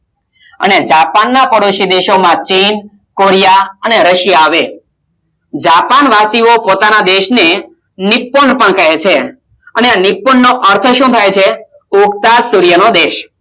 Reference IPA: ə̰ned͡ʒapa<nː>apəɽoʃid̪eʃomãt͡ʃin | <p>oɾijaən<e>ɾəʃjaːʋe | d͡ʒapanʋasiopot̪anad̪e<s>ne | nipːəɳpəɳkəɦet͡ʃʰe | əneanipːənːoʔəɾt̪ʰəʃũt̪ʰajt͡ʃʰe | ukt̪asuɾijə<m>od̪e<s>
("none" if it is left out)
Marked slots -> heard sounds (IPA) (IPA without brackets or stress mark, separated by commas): nː, k, e, ʃ, n, ʃ